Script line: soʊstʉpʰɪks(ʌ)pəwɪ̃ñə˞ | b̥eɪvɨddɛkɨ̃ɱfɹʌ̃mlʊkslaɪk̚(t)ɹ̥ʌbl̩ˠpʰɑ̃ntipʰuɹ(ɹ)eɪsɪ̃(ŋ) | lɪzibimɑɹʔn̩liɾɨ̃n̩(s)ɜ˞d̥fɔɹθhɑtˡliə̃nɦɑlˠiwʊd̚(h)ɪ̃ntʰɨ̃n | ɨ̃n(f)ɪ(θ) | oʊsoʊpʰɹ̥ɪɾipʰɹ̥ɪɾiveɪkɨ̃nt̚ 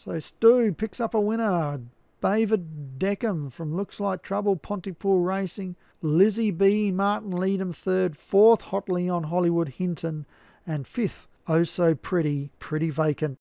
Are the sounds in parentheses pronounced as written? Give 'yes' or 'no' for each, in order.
yes, no, yes, yes, no, yes, yes, yes

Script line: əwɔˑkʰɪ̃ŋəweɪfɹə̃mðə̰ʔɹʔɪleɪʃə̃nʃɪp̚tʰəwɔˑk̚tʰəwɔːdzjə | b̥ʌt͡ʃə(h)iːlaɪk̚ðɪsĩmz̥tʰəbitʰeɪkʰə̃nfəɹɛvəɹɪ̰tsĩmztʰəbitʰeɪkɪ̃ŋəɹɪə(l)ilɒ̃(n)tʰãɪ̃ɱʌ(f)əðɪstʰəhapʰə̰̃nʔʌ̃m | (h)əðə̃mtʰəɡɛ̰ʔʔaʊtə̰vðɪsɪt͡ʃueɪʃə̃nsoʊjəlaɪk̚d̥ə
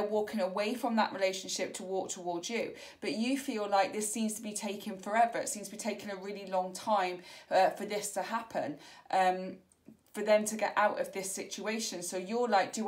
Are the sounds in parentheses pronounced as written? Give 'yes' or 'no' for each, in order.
no, yes, no, yes, no

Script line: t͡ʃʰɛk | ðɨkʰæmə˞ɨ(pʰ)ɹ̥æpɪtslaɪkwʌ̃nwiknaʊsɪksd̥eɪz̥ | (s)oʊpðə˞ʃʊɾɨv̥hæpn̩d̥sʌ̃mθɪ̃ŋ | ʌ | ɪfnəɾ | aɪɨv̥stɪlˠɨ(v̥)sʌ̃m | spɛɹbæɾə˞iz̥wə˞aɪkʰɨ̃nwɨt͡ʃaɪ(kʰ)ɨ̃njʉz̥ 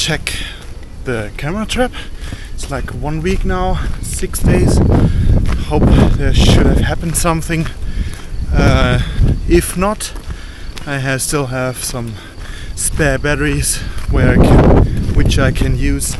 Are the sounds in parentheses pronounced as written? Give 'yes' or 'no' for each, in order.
no, no, yes, yes

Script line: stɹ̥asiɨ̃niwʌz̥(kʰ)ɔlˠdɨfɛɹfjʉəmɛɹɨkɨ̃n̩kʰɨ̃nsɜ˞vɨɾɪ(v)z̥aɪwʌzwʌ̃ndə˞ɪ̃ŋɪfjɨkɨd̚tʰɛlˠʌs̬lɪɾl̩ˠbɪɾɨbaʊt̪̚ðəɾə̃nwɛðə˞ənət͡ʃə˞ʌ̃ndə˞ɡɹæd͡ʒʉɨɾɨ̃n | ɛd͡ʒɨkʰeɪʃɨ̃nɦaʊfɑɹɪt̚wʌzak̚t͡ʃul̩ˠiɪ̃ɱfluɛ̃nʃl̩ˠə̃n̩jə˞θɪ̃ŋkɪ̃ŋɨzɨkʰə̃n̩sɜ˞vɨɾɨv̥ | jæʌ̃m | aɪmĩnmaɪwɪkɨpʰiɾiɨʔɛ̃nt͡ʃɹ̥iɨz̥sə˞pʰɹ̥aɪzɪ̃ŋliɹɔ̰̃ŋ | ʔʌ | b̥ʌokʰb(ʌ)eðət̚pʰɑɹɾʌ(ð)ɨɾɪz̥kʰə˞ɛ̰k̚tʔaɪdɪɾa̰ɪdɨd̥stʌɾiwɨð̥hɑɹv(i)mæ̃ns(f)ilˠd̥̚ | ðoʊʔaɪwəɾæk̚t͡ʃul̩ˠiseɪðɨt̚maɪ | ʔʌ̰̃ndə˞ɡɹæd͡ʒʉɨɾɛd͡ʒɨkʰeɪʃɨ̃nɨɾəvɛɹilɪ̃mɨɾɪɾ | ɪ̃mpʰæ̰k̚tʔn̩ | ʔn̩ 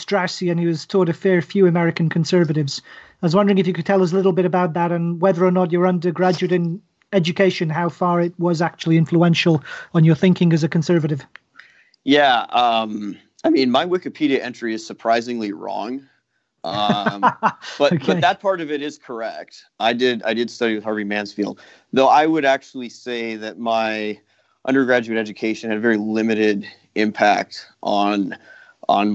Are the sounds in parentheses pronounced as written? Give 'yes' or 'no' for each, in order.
no, yes, yes, no, yes, yes

